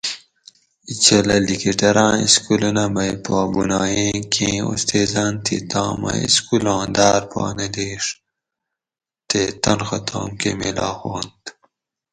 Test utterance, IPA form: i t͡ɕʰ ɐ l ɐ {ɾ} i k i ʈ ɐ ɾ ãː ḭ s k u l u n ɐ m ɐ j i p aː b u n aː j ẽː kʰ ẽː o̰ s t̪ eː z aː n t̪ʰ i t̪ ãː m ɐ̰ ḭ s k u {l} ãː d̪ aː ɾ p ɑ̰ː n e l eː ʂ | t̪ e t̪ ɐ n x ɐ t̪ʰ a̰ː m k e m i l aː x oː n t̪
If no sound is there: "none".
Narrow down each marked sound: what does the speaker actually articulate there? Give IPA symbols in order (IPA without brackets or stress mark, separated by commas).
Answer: l, l